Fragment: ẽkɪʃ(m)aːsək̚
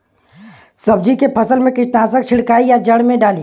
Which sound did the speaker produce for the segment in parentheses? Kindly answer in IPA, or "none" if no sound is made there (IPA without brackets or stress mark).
n